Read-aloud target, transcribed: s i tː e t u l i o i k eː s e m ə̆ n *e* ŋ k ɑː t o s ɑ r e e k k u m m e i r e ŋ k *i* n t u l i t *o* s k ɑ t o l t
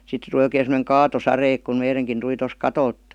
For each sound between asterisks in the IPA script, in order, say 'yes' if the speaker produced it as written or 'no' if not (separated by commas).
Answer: yes, yes, yes